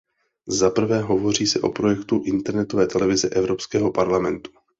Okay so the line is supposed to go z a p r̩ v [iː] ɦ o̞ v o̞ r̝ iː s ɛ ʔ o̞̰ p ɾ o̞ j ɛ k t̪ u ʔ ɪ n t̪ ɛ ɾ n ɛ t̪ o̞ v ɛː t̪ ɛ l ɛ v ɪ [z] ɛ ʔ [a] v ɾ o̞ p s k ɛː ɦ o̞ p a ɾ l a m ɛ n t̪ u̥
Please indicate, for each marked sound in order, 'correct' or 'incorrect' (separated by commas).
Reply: incorrect, correct, incorrect